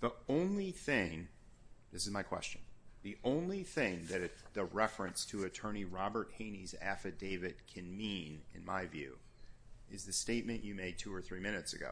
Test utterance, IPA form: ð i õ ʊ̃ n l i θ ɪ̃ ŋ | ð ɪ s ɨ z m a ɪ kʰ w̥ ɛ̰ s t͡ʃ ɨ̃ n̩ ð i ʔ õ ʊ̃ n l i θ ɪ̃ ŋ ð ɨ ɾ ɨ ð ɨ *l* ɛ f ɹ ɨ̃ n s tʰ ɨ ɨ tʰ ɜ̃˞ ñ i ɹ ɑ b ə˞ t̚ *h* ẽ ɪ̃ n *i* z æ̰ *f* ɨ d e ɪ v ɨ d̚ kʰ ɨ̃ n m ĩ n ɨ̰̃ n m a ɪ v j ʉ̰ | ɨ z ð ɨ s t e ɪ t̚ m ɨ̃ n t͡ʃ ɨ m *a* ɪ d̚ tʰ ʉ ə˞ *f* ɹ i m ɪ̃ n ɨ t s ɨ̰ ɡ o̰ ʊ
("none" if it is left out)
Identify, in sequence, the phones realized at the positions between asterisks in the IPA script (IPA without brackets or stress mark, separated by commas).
ɹ, h, i, f, e, θ